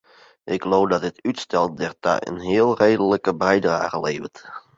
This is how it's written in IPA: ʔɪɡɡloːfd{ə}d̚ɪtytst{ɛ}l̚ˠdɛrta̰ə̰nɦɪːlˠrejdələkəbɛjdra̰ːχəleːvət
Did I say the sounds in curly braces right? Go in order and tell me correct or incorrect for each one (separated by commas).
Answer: incorrect, correct